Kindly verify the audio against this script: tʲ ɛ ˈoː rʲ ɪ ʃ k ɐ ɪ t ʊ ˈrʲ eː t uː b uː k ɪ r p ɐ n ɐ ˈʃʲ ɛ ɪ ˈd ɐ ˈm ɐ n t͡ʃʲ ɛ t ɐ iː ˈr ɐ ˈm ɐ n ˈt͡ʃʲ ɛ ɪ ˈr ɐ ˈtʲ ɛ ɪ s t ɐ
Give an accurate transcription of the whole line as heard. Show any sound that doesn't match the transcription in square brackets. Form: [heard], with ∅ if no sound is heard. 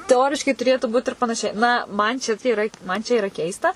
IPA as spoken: tʲ ɛ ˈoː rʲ ɪ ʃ k ɐ ɪ t ʊ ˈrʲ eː t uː b uː [t] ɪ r p ɐ n ɐ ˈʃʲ ɛ ɪ [ˈn] ɐ ˈm ɐ n t͡ʃʲ ɛ t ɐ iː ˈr ɐ ˈm ɐ n ˈt͡ʃʲ ɛ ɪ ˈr ɐ [ˈkʲ] ɛ ɪ s t ɐ